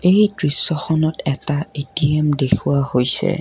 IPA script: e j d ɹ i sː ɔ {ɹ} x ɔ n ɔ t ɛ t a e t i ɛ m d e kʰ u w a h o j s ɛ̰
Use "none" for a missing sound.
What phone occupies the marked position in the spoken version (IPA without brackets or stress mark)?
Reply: none